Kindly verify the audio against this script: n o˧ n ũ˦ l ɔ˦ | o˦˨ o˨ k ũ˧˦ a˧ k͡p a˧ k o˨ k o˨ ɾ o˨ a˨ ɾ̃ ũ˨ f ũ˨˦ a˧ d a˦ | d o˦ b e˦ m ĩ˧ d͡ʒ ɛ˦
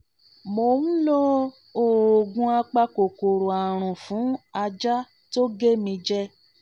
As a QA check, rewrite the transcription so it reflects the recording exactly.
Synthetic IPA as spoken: m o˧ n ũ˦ l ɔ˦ | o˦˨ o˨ ɡ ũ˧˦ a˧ k͡p a˧ k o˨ k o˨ ɾ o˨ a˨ ɾ̃ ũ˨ f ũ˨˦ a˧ d͡ʒ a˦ | t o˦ ɡ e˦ m ĩ˧ d͡ʒ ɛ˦